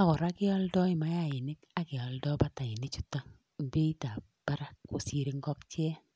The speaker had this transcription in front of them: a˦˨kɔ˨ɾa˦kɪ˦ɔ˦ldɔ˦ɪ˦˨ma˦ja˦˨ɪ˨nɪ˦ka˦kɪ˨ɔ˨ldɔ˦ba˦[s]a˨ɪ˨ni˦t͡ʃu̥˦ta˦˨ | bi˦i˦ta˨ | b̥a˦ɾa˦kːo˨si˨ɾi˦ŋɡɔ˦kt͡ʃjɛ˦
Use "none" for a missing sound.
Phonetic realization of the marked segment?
t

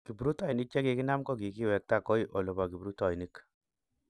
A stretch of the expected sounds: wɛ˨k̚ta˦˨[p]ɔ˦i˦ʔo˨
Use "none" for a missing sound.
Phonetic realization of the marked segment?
k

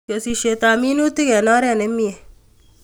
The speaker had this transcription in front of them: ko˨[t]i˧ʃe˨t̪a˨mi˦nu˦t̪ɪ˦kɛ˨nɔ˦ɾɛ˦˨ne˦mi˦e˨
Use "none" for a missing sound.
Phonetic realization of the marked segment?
s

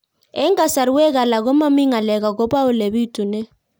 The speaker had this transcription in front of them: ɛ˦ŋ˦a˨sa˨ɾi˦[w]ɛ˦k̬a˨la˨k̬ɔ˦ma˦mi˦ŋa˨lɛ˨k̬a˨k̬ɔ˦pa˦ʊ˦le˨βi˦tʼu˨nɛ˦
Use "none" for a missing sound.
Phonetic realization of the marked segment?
w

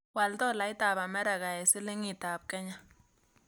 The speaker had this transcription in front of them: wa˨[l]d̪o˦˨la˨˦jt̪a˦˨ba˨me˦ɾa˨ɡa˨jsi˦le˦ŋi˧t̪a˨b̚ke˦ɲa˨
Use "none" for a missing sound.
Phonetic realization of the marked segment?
l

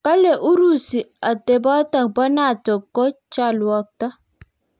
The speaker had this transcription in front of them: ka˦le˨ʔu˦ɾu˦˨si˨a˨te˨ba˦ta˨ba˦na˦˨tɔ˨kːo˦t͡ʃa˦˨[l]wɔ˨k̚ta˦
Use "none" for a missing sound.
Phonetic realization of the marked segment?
l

